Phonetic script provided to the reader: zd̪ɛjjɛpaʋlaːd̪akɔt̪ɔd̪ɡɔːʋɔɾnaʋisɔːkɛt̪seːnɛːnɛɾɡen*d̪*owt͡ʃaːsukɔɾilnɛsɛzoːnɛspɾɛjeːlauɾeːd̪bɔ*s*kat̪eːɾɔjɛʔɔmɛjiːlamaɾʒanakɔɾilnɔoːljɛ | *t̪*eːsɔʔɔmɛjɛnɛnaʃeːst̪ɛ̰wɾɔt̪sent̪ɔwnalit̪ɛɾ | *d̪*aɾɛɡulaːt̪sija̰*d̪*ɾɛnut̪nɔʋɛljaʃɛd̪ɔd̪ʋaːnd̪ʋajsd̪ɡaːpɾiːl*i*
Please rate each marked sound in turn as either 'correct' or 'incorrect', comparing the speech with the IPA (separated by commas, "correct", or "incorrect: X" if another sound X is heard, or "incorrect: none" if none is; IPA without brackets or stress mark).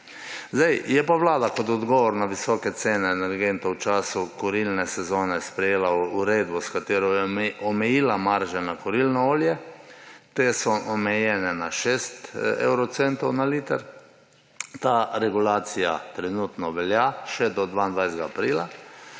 incorrect: t̪, correct, correct, incorrect: t̪, incorrect: t̪, incorrect: a